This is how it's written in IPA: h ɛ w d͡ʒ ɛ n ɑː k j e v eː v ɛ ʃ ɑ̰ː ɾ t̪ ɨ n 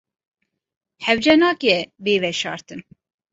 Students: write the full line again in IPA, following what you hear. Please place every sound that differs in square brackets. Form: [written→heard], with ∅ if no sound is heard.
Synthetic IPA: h ɛ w d͡ʒ ɛ n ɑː k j [e→ɛ] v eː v ɛ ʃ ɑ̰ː ɾ t̪ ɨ n